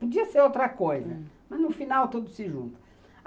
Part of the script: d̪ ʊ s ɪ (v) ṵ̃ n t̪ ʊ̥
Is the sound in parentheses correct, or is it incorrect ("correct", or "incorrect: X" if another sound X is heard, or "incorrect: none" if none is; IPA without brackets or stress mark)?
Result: incorrect: ʒ